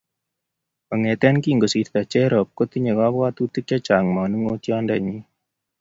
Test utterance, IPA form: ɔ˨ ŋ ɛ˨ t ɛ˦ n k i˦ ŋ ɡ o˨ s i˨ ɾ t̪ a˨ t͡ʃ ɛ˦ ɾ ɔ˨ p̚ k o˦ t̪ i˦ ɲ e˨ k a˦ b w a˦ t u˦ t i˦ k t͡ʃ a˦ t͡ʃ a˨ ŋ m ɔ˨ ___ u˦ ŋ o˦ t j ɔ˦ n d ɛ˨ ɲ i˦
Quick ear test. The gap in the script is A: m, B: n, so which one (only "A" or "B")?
B